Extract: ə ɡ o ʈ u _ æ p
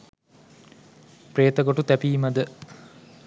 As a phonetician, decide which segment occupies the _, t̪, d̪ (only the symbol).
t̪